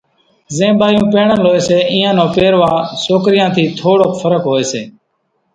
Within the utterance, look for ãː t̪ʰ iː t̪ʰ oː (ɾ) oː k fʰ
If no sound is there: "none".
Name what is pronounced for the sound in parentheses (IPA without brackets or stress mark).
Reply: ɽ